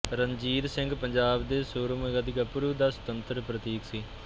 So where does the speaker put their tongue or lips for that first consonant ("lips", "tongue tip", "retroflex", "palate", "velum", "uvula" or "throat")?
tongue tip